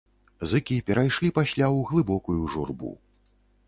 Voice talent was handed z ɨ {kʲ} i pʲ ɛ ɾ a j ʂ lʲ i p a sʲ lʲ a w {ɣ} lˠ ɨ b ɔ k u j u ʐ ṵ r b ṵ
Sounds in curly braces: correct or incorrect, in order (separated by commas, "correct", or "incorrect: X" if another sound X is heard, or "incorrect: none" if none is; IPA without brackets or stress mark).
correct, correct